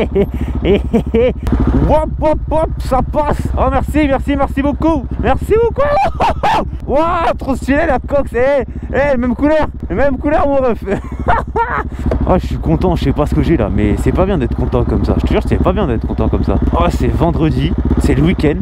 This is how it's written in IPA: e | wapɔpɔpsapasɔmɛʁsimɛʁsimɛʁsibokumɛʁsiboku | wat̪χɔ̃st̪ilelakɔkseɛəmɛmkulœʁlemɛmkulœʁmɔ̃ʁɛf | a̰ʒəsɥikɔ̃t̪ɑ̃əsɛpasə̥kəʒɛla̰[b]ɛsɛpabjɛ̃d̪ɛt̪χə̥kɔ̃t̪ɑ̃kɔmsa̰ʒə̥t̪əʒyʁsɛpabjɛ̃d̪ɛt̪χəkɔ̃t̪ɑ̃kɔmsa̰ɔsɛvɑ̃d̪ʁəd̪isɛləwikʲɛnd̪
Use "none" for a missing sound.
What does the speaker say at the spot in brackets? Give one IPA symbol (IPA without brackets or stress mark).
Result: m